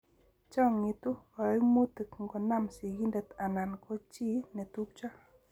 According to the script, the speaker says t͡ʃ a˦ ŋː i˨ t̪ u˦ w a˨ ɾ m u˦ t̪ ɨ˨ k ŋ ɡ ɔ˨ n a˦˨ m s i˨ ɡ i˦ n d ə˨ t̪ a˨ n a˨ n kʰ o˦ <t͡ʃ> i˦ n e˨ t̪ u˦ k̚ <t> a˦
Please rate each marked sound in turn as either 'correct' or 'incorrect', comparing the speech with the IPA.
correct, incorrect: t͡ʃ

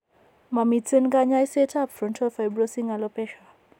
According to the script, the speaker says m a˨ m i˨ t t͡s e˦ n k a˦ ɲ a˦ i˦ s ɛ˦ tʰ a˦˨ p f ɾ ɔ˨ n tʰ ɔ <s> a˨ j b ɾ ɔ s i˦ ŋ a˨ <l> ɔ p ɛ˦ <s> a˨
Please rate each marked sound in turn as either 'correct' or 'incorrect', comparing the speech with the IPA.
incorrect: f, correct, incorrect: ʃ

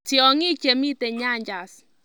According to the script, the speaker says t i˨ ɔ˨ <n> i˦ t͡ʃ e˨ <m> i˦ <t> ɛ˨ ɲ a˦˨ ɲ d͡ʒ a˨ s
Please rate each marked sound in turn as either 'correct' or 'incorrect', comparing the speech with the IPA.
incorrect: ŋ, correct, correct

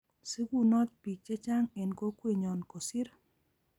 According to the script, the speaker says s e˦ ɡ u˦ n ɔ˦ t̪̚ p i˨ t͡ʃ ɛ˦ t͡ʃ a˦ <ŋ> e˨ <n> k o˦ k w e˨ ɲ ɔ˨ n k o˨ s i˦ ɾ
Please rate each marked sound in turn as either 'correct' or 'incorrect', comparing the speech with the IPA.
correct, correct

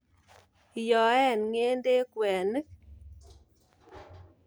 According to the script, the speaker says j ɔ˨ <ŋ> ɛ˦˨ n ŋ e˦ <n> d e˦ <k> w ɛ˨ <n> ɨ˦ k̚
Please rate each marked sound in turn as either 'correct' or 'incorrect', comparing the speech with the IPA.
incorrect: none, correct, correct, correct

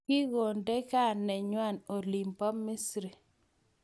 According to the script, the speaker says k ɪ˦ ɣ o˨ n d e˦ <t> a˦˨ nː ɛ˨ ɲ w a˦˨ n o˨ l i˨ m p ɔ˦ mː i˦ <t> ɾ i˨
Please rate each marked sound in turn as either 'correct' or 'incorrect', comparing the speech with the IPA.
incorrect: k, incorrect: s

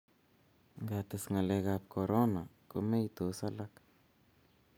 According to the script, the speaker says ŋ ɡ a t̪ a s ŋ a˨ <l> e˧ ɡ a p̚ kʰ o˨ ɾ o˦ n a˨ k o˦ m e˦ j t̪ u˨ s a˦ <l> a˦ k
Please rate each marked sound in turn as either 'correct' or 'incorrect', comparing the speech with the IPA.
correct, correct

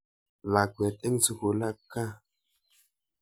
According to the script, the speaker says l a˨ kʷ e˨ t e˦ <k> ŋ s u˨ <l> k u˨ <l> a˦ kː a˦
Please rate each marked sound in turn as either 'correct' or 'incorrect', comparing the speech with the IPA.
incorrect: none, incorrect: none, correct

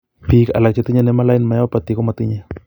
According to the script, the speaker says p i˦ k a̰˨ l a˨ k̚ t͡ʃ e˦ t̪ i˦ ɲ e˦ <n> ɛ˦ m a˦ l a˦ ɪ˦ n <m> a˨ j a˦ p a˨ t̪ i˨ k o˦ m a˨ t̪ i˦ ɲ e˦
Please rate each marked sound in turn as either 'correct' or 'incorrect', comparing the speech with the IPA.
correct, correct

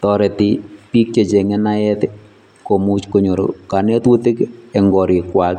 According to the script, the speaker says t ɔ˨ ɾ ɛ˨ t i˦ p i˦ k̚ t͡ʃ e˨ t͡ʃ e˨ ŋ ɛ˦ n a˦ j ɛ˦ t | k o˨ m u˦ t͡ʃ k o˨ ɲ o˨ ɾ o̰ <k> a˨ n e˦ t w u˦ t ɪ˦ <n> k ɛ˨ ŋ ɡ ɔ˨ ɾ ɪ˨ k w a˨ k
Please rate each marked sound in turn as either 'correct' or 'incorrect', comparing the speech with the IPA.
correct, incorrect: none

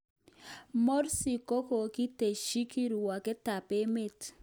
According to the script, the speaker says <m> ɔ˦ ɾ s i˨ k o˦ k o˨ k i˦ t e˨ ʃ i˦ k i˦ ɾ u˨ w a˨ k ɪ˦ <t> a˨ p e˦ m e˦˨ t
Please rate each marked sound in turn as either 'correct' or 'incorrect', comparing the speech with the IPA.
correct, correct

